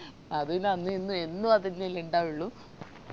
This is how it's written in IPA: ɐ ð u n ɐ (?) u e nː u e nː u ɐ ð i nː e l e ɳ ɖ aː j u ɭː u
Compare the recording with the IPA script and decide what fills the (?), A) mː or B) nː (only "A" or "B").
B